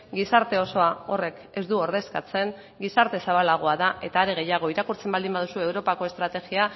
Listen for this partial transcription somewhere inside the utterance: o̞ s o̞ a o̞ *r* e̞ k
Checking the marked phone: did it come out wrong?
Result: no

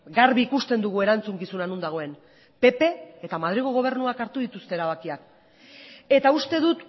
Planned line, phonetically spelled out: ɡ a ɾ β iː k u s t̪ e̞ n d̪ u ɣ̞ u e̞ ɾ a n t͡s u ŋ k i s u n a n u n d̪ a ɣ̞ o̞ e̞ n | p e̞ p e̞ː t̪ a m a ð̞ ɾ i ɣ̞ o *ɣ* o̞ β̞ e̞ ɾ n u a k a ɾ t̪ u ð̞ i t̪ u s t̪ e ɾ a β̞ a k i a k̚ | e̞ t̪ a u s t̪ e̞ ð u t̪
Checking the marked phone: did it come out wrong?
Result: no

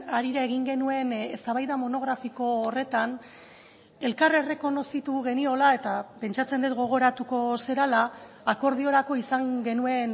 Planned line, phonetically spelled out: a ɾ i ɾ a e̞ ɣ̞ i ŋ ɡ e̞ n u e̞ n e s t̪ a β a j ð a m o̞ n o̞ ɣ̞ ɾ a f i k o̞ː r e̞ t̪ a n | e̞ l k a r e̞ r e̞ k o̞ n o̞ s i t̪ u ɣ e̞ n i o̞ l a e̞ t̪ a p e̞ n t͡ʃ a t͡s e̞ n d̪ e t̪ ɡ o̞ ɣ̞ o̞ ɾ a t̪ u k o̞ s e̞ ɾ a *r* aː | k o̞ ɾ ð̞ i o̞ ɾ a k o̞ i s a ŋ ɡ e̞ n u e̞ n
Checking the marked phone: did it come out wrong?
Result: yes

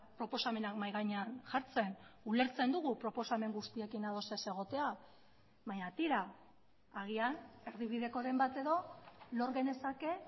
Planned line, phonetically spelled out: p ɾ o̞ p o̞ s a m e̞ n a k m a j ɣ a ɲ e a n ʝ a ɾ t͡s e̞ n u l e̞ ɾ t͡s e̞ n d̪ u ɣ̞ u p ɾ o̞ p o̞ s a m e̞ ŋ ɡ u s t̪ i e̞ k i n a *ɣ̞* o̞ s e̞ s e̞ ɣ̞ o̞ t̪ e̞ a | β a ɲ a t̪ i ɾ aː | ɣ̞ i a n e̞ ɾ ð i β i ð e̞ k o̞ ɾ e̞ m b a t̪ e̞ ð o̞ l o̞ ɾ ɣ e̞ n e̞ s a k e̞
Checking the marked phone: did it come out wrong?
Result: yes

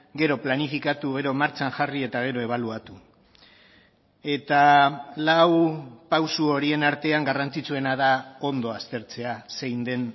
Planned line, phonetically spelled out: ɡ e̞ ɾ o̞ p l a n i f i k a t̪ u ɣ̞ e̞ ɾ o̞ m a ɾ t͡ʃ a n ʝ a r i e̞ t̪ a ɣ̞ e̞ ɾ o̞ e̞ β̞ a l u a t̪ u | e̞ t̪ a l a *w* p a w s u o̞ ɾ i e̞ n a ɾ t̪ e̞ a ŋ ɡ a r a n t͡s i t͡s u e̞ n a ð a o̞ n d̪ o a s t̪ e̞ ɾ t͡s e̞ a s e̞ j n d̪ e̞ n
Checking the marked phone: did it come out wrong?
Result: no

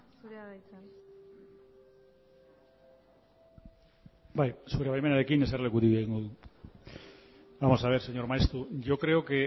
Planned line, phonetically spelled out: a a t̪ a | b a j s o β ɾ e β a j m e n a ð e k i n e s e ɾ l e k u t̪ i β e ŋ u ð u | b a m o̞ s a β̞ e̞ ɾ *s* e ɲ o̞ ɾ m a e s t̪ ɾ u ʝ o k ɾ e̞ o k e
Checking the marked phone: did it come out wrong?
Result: no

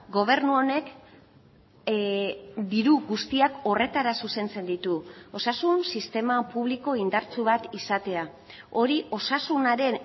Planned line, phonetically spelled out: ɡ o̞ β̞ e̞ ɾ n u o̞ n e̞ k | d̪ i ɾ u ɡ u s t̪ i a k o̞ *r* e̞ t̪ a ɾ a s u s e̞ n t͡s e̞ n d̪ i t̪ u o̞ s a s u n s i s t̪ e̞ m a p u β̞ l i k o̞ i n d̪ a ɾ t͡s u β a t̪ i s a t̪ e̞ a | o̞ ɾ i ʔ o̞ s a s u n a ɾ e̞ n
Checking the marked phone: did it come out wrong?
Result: no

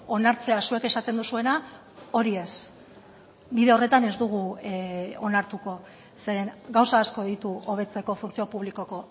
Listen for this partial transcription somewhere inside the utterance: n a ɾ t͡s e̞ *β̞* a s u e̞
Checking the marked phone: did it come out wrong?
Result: yes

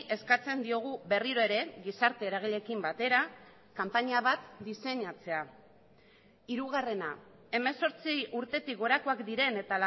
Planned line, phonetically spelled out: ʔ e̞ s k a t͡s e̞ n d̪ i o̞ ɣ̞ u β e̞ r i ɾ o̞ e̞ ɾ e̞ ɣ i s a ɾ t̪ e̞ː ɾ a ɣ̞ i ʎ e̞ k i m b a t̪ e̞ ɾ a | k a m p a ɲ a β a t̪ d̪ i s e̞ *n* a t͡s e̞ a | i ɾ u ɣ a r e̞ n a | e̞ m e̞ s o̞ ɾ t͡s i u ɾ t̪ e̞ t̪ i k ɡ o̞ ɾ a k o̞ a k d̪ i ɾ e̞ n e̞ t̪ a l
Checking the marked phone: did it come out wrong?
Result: yes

